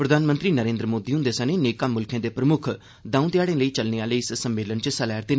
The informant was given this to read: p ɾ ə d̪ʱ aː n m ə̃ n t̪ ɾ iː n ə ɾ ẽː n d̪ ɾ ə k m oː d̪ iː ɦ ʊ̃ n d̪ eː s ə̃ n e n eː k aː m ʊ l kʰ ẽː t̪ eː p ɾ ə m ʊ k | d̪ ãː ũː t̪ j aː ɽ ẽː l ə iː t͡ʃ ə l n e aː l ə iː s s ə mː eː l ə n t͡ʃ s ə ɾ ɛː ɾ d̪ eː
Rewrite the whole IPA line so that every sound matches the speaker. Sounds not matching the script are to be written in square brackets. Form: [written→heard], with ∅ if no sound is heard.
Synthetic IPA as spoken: p ɾ ə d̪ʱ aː n m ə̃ n t̪ ɾ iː n ə ɾ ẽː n d̪ ɾ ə [k→∅] m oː d̪ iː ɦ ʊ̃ n d̪ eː s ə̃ n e n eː k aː m ʊ l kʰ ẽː [t̪→d̪] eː p ɾ ə m ʊ [k→kʰ] | d̪ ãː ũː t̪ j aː ɽ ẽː l ə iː t͡ʃ ə l n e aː l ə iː s s ə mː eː l ə n t͡ʃ s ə [ɾ→l] ɛː ɾ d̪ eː